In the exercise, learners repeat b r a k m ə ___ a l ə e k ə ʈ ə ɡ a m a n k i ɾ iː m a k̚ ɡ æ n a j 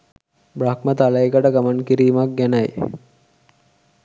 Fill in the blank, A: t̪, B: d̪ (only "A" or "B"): A